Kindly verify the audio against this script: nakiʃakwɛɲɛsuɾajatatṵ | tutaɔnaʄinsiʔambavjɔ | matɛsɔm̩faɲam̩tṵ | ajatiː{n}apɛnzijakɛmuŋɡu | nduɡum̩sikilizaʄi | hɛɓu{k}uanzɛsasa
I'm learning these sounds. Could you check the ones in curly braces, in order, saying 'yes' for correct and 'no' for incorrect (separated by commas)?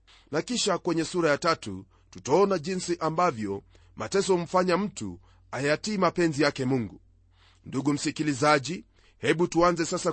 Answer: no, no